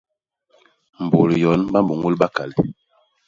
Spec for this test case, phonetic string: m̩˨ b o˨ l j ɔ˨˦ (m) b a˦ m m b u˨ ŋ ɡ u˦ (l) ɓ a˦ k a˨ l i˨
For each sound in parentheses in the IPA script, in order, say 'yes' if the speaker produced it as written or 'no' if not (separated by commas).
no, yes